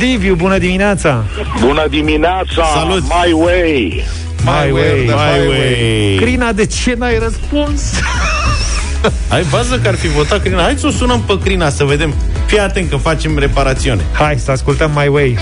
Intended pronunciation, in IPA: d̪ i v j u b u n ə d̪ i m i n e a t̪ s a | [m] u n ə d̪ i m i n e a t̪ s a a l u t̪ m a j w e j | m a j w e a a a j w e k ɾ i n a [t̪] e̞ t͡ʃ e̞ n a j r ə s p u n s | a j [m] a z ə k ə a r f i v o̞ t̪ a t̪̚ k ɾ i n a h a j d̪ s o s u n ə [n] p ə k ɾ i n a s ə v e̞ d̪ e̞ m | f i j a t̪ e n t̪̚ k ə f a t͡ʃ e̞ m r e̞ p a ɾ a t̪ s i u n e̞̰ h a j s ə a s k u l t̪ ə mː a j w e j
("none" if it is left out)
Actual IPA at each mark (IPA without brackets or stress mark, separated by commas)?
b, d̪, b, m